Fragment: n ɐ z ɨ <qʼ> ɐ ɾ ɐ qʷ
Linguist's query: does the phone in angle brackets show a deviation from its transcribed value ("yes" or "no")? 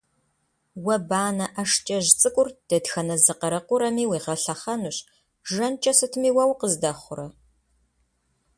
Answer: yes